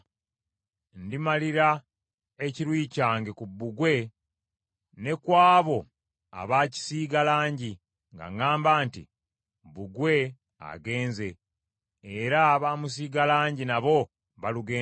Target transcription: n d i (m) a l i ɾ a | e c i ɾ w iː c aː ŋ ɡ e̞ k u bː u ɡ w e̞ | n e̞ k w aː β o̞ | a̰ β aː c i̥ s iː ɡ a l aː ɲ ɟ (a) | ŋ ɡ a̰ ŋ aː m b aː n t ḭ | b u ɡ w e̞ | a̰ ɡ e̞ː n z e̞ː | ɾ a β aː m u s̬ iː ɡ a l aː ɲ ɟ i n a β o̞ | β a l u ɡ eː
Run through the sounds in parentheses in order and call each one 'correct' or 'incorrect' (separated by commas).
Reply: correct, incorrect